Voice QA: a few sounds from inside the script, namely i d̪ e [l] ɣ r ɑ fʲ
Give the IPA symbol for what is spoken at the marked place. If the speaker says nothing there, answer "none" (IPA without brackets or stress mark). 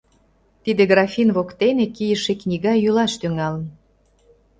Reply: none